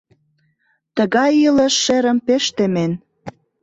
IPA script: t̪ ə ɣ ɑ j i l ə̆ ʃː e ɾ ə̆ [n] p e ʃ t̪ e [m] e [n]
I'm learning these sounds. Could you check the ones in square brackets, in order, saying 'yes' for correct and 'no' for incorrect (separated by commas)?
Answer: no, yes, yes